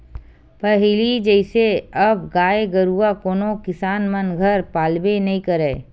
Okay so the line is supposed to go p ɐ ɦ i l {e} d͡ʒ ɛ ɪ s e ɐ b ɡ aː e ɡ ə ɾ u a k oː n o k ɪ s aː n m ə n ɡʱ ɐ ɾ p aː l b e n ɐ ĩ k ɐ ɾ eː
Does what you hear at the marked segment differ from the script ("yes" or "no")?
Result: yes